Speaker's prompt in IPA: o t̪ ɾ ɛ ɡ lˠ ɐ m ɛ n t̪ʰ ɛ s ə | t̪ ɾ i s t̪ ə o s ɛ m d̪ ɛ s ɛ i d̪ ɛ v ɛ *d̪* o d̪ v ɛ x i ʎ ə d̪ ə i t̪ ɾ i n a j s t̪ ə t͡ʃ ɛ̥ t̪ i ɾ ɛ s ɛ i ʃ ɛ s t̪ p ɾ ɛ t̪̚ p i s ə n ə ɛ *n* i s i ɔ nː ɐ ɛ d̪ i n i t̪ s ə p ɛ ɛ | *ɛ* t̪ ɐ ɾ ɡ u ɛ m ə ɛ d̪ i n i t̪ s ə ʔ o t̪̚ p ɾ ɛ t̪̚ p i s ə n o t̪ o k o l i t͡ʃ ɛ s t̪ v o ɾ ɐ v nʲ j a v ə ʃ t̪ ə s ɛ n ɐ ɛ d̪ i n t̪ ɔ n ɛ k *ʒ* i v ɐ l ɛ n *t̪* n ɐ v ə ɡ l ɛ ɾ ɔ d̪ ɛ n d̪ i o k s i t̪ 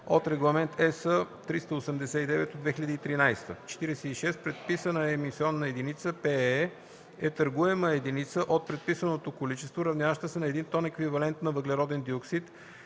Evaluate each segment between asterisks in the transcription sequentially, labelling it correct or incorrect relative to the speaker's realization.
incorrect: t̪, incorrect: m, correct, incorrect: v, correct

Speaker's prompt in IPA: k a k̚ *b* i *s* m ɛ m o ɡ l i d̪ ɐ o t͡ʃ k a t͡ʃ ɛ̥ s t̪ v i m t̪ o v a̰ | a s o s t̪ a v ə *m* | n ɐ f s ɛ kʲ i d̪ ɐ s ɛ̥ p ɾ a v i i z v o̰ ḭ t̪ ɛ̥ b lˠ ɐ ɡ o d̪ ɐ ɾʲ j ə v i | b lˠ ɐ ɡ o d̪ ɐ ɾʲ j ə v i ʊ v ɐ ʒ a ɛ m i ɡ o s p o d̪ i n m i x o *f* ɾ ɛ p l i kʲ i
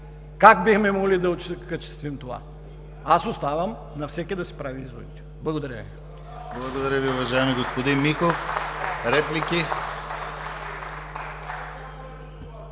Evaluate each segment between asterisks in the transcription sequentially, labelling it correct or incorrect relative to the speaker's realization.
correct, incorrect: x, correct, correct

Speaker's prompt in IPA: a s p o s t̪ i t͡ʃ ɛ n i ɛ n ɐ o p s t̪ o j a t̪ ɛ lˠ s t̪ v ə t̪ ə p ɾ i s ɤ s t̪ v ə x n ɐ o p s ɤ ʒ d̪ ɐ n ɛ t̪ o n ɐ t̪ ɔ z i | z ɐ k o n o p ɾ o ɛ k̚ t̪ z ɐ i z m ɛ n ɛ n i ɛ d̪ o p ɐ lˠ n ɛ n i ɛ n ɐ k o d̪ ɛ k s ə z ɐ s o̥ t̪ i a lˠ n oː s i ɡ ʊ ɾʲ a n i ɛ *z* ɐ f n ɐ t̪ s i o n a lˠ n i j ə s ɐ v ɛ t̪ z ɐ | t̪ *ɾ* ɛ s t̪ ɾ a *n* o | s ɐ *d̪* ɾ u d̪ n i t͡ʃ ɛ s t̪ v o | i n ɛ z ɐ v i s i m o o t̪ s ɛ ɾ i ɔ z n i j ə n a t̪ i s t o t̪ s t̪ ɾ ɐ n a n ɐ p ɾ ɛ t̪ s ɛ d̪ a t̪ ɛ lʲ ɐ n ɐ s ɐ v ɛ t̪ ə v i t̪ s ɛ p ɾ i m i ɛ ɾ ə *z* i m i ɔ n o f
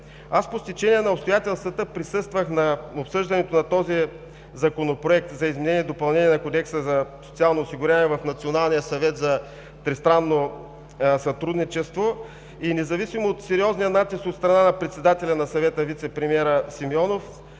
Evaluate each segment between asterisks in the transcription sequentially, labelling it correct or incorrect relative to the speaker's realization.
incorrect: v, correct, incorrect: nː, incorrect: t̪, incorrect: s

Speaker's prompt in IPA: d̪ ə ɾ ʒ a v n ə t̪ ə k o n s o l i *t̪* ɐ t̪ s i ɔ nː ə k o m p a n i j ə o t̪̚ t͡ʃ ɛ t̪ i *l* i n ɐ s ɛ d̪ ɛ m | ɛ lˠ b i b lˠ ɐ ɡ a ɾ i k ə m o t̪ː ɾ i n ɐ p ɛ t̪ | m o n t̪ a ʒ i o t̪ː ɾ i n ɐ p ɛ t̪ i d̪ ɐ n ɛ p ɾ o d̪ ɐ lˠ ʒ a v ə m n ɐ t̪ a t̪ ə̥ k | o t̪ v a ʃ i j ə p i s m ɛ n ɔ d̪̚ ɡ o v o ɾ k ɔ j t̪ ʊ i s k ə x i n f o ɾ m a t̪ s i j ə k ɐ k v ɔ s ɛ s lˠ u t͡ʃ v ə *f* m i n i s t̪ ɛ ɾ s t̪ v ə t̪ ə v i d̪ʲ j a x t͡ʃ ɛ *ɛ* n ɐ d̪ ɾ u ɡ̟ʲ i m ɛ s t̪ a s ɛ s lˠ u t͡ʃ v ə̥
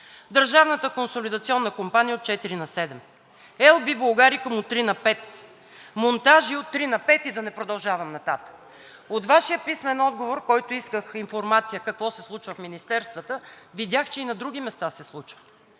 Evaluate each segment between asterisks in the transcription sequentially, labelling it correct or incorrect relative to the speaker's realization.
incorrect: d̪, incorrect: ɾ, correct, incorrect: i

